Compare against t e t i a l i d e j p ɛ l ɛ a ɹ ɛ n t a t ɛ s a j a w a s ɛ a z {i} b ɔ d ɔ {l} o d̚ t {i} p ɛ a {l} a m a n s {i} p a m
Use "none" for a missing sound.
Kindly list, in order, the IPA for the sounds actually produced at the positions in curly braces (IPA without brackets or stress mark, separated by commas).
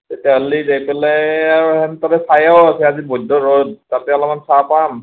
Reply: i, ɹ, a, l, a